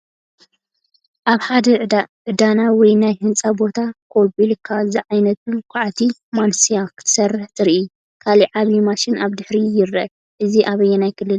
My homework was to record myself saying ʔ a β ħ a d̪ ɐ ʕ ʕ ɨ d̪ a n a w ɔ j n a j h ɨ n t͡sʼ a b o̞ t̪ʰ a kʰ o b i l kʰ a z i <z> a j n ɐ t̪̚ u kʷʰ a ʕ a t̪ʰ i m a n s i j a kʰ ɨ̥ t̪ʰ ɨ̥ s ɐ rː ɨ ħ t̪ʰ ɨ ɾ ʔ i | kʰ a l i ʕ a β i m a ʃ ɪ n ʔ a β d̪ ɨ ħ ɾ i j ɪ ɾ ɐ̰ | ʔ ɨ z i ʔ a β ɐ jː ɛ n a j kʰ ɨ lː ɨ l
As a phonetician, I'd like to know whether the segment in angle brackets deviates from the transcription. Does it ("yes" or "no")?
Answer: yes